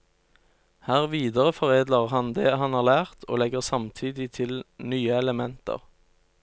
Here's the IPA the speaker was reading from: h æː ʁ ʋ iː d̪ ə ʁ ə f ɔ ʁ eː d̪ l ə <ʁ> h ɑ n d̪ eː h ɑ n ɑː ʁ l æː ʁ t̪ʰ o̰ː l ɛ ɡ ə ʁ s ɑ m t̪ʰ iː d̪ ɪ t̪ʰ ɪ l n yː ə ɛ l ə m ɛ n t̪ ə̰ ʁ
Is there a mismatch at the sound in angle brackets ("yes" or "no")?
no